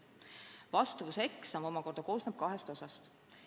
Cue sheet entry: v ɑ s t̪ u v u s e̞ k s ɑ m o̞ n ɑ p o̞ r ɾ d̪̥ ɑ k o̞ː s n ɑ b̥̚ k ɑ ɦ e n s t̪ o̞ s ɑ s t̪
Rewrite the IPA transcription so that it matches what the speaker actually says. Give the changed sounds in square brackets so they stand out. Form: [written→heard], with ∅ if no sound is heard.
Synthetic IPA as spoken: v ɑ s t̪ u v u s e̞ k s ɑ m o̞ [n→m] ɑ [p→k] o̞ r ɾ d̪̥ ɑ k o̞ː s n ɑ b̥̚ k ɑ ɦ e [n→∅] s t̪ o̞ s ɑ s t̪